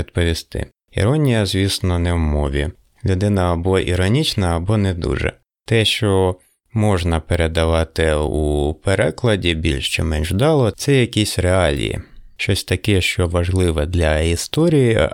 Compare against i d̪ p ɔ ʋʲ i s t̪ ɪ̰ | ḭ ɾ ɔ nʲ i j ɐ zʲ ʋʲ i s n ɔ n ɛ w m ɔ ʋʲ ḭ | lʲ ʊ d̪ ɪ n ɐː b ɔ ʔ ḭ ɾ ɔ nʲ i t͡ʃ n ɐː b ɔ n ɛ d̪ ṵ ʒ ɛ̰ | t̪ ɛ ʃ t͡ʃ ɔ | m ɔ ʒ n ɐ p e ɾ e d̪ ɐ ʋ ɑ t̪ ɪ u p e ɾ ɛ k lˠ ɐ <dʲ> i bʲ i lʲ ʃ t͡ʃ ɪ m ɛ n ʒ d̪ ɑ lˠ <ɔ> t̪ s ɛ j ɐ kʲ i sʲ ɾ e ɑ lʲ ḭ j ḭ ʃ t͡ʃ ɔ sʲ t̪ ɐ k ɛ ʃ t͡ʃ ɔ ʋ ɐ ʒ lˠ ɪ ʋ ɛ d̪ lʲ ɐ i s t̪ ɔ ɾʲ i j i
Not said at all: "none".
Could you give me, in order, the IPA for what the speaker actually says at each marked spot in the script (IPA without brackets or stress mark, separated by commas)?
dʲ, ɔ